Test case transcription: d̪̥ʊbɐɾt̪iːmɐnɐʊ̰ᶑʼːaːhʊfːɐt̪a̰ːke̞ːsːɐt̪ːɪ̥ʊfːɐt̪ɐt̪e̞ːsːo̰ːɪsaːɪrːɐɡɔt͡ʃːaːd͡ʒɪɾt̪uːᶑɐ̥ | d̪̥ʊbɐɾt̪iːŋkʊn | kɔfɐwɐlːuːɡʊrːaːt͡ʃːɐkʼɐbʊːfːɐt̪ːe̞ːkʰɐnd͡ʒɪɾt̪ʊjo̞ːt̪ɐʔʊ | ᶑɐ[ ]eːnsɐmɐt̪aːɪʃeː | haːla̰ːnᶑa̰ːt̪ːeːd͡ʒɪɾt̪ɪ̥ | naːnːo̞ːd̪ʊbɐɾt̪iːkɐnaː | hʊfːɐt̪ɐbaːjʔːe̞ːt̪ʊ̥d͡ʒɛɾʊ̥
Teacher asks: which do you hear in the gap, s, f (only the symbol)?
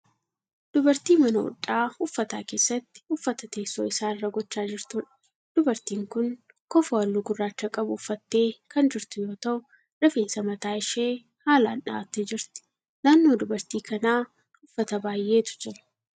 f